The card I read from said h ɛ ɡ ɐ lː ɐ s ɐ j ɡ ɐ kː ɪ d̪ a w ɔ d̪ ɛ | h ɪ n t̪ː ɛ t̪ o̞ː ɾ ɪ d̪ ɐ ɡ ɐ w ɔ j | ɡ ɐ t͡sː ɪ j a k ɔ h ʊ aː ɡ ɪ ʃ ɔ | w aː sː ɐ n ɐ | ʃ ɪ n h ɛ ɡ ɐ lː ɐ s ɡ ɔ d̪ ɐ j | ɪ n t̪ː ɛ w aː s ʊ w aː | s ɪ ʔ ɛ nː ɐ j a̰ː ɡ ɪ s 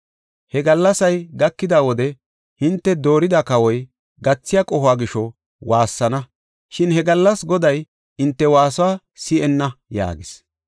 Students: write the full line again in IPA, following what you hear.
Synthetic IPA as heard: h ɛ ɡ ɐ lː ɐ s ɐ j ɡ ɐ kː ɪ d̪ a w ɔ d̪ ɛ | h ɪ n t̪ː ɛ d̪ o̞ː ɾ ɪ d̪ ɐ k ɐ w ɔ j | ɡ ɐ t͡sː ɪ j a kʼ ɔ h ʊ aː ɡ ɪ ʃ ɔ | w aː sː ɐ n ɐ | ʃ ɪ n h ɛ ɡ ɐ lː ɐ s ɡ ɔ d̪ ɐ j | ɪ n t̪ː ɛ w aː s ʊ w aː | s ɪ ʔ ɛ nː ɐ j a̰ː ɡ ɪ s